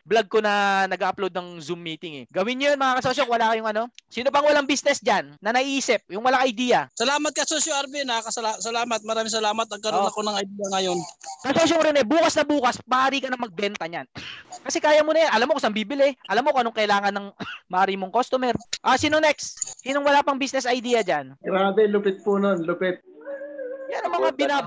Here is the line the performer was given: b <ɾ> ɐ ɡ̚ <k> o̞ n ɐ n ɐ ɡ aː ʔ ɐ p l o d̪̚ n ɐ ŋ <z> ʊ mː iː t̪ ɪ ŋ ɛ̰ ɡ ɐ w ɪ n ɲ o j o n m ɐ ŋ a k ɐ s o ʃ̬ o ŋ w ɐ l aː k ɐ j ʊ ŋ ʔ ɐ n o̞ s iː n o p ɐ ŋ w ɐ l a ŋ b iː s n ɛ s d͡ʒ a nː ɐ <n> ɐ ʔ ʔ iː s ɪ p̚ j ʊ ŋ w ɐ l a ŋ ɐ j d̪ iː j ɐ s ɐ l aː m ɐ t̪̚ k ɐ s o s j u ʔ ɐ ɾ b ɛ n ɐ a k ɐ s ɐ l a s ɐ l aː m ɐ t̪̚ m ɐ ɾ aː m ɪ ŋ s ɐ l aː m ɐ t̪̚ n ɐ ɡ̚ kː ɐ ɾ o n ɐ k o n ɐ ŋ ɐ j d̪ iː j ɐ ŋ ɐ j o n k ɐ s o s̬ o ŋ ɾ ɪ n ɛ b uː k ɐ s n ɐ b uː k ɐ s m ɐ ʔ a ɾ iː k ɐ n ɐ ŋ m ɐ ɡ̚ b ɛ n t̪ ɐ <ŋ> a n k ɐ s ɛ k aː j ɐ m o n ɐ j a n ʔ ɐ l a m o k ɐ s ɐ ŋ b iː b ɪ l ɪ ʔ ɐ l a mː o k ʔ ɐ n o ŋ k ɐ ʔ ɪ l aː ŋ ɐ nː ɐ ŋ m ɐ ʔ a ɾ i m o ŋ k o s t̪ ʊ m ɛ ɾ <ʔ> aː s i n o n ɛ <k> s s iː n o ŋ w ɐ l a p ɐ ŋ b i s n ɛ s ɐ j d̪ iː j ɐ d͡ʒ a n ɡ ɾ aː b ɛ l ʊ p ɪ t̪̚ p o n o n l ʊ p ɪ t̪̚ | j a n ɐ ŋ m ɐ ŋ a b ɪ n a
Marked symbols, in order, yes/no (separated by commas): no, yes, yes, yes, no, yes, yes